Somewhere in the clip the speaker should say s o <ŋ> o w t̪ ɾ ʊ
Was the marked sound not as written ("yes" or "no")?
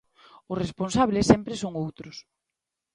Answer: no